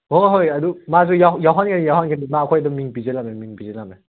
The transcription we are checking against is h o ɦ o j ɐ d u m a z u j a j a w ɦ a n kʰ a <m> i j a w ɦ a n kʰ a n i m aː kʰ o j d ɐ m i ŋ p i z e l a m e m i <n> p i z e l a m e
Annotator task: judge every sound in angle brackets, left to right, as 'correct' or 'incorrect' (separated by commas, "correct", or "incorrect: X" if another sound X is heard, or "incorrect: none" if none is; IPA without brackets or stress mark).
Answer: incorrect: n, incorrect: ŋ